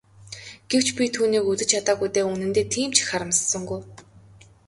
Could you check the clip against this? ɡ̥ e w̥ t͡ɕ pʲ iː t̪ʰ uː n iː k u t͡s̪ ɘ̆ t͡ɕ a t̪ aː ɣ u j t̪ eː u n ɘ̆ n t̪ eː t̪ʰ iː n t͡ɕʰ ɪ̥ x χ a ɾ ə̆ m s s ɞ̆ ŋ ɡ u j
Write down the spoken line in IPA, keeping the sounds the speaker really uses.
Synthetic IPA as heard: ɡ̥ e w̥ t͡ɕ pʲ i t̪ʰ uː n iː k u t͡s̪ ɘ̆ t͡ɕʰ a t̪ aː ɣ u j t̪ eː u n ɘ̆ n t̪ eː t̪ʰ iː m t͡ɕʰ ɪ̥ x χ a ɾ ə̆ m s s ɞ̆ ŋ ɡ u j